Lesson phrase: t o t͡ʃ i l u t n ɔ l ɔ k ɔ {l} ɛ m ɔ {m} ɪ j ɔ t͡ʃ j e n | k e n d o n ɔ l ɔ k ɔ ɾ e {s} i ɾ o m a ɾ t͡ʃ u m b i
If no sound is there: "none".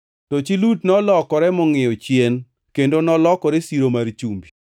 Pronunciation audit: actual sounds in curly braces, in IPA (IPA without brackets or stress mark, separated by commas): ɾ, ŋ, s